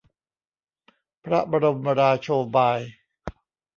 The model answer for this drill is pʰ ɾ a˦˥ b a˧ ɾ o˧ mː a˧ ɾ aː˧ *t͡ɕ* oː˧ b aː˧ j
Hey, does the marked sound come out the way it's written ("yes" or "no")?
no